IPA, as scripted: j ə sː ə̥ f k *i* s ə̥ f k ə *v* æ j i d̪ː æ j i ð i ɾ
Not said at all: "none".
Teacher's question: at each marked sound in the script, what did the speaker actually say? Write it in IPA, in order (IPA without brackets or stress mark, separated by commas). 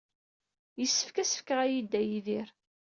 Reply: æ, ʁ